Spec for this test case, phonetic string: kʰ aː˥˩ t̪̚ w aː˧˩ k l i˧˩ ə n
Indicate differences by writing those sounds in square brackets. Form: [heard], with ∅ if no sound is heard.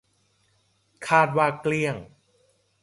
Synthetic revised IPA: kʰ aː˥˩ t̪̚ w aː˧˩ k l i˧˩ ə [ŋ]